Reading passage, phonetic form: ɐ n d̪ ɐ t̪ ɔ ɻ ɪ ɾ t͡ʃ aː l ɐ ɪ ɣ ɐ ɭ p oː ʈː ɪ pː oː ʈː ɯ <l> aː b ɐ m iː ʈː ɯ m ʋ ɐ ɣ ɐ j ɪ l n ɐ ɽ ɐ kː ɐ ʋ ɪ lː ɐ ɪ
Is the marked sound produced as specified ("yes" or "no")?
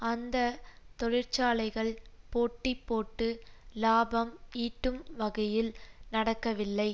yes